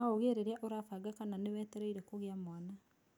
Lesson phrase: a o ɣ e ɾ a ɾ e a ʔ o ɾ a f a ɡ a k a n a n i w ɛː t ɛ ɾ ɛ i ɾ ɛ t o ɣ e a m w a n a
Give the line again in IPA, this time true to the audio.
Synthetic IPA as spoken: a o ɣ e ɾ e ɾ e a ʔ o ɾ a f a ɡ a k a n a n e w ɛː t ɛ ɾ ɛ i ɾ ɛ k o ɣ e a m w a n a